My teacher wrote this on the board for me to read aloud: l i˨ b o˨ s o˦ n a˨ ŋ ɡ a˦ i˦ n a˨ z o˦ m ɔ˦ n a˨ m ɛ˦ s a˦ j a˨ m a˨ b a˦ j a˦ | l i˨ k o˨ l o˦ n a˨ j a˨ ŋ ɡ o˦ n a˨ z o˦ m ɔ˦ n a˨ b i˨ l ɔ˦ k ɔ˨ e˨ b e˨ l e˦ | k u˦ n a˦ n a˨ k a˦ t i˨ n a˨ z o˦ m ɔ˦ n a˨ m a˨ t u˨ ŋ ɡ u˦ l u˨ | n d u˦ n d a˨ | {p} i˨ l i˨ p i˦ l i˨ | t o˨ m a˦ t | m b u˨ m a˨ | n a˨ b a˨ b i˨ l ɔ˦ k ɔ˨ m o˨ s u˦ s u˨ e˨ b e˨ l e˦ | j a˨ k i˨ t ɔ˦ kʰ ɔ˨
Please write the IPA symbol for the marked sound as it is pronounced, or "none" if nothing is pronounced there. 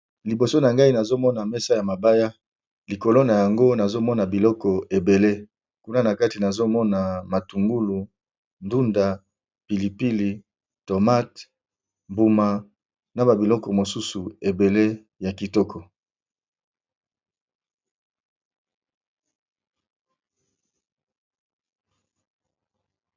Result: p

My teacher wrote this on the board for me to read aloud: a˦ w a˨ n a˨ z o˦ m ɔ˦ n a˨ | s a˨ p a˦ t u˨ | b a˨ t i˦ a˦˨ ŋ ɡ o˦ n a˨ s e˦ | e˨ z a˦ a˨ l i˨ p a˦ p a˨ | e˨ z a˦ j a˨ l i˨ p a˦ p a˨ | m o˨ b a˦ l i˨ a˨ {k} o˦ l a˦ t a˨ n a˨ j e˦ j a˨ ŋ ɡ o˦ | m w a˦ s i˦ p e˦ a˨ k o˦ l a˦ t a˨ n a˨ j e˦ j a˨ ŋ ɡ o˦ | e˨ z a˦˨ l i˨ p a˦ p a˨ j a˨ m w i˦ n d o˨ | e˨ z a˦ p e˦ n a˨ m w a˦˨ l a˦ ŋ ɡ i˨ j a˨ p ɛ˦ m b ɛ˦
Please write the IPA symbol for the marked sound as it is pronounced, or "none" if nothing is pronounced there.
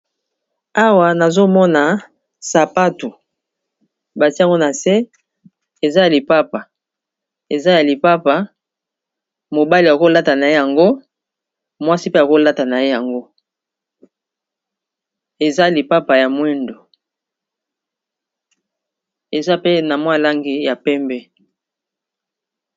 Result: k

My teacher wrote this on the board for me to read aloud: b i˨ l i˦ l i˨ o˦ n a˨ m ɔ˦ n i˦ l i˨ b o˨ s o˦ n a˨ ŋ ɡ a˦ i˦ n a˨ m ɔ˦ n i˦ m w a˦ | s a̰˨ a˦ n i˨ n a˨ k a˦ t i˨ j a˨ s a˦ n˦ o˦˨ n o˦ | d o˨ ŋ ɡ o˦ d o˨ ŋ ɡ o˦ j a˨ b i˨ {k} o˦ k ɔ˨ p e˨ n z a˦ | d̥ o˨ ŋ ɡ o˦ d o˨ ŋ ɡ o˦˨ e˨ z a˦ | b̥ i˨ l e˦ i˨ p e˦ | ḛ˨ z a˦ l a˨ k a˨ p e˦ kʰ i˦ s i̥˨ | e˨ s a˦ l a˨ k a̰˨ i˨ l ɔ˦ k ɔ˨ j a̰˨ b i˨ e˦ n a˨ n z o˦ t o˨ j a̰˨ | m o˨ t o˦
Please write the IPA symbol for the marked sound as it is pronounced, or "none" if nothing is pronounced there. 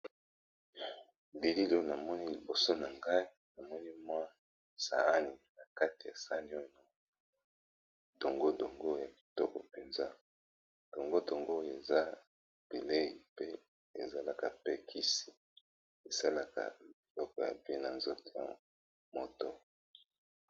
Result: t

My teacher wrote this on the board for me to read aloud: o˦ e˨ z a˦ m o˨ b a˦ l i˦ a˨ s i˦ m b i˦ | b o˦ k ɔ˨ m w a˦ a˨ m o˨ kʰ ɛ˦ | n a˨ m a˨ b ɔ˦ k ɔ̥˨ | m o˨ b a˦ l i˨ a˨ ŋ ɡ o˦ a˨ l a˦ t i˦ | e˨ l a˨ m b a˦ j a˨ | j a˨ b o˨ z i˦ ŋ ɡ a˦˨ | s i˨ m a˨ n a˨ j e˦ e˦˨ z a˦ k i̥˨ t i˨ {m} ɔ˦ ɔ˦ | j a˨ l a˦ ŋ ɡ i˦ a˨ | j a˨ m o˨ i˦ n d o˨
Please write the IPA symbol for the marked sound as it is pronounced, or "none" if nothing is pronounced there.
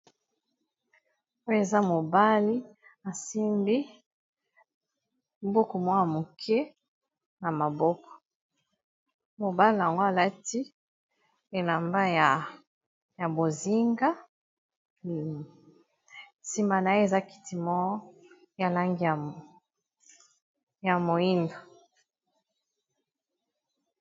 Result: m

